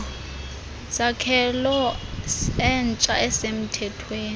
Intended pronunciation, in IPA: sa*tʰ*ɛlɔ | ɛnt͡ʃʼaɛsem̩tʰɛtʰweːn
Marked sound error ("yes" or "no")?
yes